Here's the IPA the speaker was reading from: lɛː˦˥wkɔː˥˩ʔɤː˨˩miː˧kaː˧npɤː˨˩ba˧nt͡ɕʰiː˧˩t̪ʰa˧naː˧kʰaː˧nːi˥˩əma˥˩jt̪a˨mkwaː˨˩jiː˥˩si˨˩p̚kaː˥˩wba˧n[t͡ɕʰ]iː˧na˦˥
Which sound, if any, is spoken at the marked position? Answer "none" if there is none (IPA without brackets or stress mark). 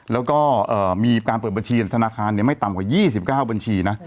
t͡ɕʰ